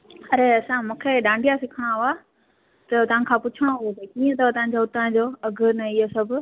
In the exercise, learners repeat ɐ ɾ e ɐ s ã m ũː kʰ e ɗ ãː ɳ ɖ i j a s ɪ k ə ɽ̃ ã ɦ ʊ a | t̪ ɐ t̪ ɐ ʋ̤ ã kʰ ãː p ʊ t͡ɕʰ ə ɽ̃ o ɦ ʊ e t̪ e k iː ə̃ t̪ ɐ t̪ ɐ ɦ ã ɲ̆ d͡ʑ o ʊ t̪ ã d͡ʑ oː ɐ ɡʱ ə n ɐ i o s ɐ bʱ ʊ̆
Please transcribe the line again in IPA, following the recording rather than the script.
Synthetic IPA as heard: ɐ ɾ e ɐ s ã m ũː kʰ e ɗ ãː ɳ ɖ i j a s ɪ kʰ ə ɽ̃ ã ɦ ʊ a | t̪ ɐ t̪ ɐ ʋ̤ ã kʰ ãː p ʊ t͡ɕʰ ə ɽ̃ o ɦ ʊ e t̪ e k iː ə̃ t̪ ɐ t̪ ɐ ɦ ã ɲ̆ d͡ʑ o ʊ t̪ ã d͡ʑ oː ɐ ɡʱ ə n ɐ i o s ɐ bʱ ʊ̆

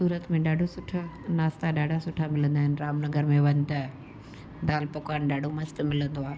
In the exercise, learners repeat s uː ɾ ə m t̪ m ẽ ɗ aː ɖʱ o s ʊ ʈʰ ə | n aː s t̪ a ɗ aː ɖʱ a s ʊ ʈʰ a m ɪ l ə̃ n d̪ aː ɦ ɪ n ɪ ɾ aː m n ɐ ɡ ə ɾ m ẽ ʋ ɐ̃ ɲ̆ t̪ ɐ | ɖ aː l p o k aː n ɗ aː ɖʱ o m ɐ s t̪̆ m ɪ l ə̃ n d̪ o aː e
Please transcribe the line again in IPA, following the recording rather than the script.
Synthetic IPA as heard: s uː ɾ ə t̪ m ẽ ɗ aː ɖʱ o s ʊ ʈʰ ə | n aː s t̪ a ɗ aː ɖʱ a s ʊ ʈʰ a m ɪ l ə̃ n d̪ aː ɦ ɪ n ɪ ɾ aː m n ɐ ɡ ə ɾ m ẽ ʋ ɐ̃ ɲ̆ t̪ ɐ | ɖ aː l p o k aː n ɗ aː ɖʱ o m ɐ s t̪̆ m ɪ l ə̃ n d̪ o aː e

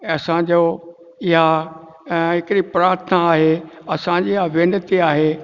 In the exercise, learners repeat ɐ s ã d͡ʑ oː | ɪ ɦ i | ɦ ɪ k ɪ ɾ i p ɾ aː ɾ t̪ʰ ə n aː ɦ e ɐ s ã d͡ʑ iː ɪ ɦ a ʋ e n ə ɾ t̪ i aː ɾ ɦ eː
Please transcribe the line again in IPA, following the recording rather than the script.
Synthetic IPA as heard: ɐ s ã d͡ʑ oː | ɪ ɦ a | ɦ ɪ k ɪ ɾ i p ɾ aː ɾ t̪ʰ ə n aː ɦ e ɐ s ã d͡ʑ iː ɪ ɦ a ʋ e n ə t̪ i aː ɦ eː

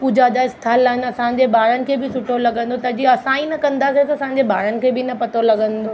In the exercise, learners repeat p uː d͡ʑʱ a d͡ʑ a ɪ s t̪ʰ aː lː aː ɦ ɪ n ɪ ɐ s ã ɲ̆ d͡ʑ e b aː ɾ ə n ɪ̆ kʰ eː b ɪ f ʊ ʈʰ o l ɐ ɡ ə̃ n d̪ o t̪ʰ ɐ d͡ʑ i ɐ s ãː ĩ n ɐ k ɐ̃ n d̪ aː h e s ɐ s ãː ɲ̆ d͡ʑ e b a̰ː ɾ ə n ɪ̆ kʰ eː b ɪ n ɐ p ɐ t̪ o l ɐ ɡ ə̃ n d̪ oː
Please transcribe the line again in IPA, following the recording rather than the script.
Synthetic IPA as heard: p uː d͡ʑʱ a d͡ʑ a ɪ s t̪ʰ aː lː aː ɦ ɪ n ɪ ɐ s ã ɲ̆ d͡ʑ e b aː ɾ ə n ɪ̆ kʰ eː b ɪ s ʊ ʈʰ o l ɐ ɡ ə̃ n d̪ o t̪ ɐ d͡ʑ i ɐ s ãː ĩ n ɐ k ɐ̃ n d̪ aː s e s ɐ s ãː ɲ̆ d͡ʑ e b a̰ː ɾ ə n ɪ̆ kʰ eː b ɪ n ɐ p ɐ t̪ o l ɐ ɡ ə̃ n d̪ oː

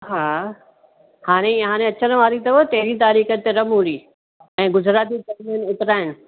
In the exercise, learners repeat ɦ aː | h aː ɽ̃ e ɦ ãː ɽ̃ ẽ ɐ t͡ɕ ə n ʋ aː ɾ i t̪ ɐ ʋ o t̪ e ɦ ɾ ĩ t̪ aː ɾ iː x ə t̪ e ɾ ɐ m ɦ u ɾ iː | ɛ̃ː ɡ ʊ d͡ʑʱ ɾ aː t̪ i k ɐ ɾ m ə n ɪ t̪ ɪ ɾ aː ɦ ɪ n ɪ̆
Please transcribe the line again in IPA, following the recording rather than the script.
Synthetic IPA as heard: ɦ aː | h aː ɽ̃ e ɦ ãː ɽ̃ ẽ ɐ t͡ɕ ə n ʋ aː ɾ i t̪ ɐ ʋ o t̪ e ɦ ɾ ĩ t̪ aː ɾ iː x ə t̪ e ɾ ɐ m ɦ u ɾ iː | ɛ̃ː ɡ ʊ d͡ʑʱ ɾ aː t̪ i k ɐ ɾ m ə n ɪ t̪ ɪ ɾ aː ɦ ɪ n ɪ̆

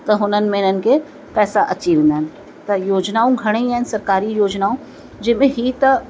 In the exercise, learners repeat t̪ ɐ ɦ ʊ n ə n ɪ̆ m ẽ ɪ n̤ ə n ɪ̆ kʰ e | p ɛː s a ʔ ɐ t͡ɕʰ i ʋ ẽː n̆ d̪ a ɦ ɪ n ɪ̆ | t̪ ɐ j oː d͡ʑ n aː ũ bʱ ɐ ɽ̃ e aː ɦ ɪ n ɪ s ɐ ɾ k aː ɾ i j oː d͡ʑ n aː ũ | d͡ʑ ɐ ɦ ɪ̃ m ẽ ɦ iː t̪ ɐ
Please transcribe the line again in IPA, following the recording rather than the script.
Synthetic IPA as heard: t̪ ɐ ɦ ʊ n ə n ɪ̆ m ẽ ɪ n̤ ə n ɪ̆ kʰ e | p ɛː s a ʔ ɐ t͡ɕ i ʋ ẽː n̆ d̪ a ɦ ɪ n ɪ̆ | t̪ ɐ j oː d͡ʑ n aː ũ ɡʱ ɐ ɽ̃ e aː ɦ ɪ n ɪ s ɐ ɾ k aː ɾ i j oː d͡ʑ n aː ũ | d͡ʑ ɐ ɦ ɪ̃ m ẽ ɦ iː t̪ ɐ

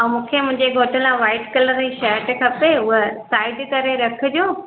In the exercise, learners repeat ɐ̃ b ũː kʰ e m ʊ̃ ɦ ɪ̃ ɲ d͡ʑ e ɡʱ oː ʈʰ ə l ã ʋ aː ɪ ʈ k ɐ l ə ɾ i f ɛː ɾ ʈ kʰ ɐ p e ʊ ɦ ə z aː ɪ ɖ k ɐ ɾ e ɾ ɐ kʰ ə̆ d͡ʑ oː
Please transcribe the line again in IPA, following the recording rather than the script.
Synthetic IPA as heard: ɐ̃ m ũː kʰ e m ʊ̃ ɦ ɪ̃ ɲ d͡ʑ e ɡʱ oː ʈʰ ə l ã ʋ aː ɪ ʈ k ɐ l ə ɾ i ʃ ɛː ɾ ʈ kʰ ɐ p e ʊ ɦ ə s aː ɪ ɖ k ɐ ɾ e ɾ ɐ kʰ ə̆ d͡ʑ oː

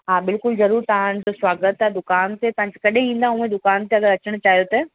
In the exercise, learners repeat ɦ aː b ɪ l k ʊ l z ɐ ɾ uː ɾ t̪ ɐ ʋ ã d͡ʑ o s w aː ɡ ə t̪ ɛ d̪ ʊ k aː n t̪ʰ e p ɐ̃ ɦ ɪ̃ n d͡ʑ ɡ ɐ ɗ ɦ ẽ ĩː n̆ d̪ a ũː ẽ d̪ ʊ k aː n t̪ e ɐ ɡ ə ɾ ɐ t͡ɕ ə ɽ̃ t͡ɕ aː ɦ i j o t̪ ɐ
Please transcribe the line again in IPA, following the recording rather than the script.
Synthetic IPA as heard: ɦ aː b ɪ l k ʊ l z ɐ ɾ uː ɾ t̪ ɐ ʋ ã d͡ʑ o s w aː ɡ ə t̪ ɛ d̪ ʊ k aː n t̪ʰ e p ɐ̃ ɦ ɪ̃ ɲ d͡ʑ k ɐ ɗ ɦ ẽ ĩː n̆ d̪ a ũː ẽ d̪ ʊ k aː n t̪ e ɐ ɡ ə ɾ ɐ t͡ɕ ə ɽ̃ t͡ɕ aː ɦ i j o t̪ ɐ

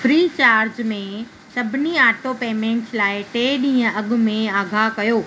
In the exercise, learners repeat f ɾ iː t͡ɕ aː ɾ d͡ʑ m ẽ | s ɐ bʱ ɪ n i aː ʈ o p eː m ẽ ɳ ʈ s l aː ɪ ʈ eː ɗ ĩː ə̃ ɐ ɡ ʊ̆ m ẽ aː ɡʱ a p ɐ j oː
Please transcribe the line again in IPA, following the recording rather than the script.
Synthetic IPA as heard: f ɾ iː t͡ɕ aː ɾ d͡ʑ m ẽ | s ɐ bʱ ɪ n i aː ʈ o p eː m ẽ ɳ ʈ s l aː ɪ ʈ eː ɗ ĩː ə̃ ɐ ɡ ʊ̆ m ẽ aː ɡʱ a k ɐ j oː

